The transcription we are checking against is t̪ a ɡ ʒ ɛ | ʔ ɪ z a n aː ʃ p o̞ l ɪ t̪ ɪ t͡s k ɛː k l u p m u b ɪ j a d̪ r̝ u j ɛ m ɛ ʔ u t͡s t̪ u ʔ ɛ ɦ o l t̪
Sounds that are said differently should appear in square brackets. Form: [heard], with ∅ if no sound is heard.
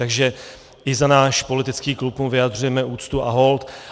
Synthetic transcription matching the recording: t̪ a ɡ ʒ ɛ | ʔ ɪ z a n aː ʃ p o̞ l ɪ t̪ ɪ t͡s k [iː] k l u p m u [v] ɪ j a d̪ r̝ u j ɛ m ɛ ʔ [uː] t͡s t̪ u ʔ [a] ɦ o l t̪